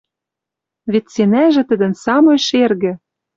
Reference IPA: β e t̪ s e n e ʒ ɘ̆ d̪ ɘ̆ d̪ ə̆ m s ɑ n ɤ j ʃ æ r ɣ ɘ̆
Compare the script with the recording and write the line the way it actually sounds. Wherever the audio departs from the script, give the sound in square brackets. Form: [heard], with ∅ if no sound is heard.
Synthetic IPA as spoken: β e t̪ s e n [æ] ʒ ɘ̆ [t̪] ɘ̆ d̪ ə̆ [n] s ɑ [m] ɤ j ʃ [e] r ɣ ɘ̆